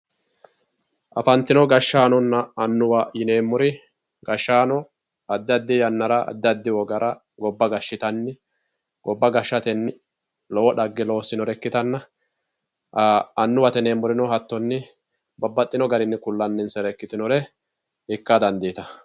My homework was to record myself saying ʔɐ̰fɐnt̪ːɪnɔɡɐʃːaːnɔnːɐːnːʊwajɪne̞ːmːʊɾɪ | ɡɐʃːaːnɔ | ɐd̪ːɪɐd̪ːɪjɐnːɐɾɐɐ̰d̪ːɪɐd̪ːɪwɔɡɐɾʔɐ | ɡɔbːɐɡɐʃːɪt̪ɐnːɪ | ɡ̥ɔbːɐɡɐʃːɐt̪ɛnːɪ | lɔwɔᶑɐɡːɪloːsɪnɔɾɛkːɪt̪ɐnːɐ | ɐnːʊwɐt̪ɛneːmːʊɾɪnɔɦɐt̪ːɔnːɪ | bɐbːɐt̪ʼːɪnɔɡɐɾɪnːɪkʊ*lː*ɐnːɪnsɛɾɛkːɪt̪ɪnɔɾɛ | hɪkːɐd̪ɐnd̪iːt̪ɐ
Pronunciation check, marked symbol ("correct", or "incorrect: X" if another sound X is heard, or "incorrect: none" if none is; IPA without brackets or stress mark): correct